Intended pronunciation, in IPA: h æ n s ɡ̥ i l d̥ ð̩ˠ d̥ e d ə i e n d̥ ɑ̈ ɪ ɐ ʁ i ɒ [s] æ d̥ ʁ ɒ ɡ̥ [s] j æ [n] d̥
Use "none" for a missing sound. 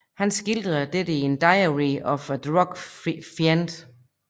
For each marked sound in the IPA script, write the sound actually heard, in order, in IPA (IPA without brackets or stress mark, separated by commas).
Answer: f, f, n